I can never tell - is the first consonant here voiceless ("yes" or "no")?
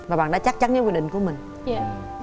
no